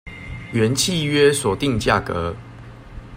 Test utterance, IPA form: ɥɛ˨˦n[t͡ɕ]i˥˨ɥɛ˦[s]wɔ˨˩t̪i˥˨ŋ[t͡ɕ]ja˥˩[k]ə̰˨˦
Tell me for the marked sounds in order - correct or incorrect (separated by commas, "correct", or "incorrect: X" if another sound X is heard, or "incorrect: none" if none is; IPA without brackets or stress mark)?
incorrect: t͡ɕʰ, correct, correct, correct